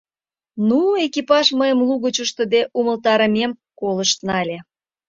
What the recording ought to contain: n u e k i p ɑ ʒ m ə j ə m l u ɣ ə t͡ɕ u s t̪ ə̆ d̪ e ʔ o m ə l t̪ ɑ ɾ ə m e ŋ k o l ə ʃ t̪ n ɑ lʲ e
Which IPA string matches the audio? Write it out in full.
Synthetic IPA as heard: n u e k i p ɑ ʒ m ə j ə m l u ɣ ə t͡ɕ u ʃ t̪ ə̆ d̪ e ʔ u m ə l t̪ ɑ ɾ ə m e m k o l ə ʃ t̪ n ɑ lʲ e